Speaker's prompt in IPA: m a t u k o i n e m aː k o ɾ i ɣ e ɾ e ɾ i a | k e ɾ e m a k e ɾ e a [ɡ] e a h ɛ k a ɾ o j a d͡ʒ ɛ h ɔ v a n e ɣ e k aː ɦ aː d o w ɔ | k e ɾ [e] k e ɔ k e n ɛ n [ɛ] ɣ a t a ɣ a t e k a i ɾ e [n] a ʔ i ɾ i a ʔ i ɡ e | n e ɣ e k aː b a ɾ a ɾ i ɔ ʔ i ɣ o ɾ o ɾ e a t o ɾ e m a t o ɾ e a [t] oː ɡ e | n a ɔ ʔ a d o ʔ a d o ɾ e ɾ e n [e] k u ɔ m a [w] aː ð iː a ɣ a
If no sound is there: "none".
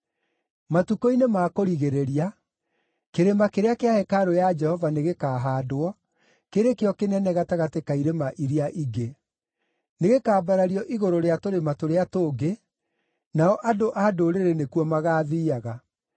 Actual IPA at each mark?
k, e, ɛ, m, t, e, ɣ

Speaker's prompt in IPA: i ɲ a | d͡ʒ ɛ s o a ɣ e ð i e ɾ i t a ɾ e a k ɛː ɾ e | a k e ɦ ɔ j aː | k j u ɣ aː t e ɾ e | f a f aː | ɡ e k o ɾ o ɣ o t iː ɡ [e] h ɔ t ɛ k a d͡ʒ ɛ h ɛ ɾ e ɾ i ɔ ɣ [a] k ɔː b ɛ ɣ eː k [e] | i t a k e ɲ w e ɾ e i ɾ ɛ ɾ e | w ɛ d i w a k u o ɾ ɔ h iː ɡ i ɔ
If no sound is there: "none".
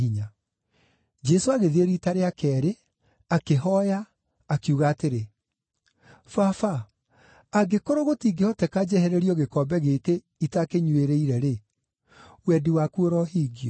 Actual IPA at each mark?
e, e, e

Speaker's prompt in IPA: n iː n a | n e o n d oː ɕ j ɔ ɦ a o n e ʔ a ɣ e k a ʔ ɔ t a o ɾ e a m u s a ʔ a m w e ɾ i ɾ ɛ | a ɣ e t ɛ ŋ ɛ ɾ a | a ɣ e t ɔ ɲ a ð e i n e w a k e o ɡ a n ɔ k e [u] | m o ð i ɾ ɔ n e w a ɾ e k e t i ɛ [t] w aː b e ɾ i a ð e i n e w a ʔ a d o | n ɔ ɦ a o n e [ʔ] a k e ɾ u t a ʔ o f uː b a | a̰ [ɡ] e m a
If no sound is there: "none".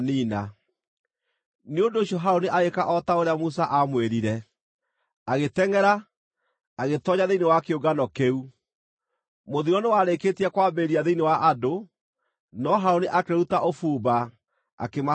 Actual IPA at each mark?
u, k, ʔ, k

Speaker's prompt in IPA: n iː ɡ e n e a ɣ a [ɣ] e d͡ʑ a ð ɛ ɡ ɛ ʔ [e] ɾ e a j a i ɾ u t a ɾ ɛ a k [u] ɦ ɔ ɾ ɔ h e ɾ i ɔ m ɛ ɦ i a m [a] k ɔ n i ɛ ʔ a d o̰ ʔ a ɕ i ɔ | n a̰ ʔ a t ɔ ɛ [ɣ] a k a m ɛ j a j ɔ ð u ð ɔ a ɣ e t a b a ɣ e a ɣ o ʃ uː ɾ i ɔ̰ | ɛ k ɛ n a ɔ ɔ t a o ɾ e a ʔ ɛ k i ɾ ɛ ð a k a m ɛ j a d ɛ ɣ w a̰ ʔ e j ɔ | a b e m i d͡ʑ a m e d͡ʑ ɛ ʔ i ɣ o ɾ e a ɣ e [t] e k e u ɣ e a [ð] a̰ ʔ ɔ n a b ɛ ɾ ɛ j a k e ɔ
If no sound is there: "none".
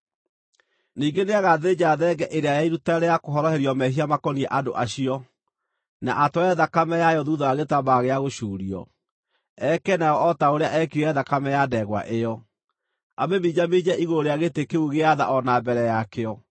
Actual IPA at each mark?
ð, e, o, a, ð, t, ð

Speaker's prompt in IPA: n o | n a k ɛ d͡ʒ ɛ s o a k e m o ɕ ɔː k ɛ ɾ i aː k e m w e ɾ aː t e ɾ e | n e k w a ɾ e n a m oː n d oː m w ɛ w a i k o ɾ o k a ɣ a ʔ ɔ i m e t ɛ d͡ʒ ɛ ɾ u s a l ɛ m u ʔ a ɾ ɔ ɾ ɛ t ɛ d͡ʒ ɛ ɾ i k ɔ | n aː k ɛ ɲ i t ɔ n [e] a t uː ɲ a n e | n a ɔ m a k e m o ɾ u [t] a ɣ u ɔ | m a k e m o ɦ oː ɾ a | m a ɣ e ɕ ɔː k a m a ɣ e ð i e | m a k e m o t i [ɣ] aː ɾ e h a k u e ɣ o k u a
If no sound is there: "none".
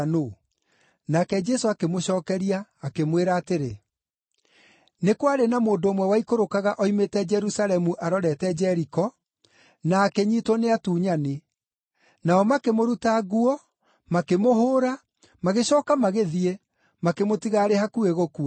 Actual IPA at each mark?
e, t, ɣ

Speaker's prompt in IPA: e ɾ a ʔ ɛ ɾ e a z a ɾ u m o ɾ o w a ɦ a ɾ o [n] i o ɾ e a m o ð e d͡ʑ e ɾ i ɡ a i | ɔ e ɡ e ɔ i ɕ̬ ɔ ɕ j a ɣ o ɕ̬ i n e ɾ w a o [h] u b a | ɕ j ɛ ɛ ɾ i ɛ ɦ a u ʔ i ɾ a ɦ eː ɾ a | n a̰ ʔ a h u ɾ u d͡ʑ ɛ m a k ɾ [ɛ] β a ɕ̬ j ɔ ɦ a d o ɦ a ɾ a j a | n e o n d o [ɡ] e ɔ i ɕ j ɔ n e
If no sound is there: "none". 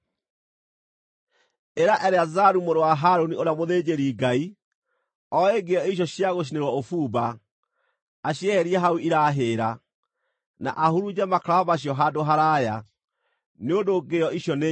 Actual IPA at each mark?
n, f, a, ɡ

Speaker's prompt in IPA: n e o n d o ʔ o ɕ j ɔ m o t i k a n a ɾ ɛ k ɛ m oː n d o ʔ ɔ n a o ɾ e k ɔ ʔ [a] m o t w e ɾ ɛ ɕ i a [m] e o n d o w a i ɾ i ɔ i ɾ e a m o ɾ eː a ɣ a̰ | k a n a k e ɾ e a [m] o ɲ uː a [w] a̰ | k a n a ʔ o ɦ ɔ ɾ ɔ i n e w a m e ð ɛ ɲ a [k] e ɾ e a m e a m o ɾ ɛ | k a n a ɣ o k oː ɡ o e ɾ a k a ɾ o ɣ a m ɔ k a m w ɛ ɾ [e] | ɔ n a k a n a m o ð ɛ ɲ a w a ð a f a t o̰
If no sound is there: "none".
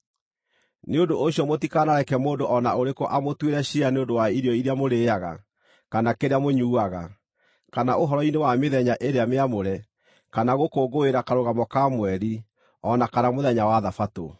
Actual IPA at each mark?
a, n, m, ɣ, ʔ, i

